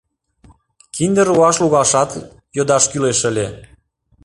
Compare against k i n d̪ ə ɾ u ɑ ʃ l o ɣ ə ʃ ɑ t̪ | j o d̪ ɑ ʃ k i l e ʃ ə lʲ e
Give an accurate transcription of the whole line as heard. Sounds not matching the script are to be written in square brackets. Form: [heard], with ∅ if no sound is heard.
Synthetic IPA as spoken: k i n d̪ ə ɾ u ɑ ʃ l [u] ɣ [ɑ] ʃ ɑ t̪ | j o d̪ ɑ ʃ k [y] l e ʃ ə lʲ e